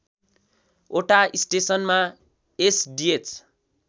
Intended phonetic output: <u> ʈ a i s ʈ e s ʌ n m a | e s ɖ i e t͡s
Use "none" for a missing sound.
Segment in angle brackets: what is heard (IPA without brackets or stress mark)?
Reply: o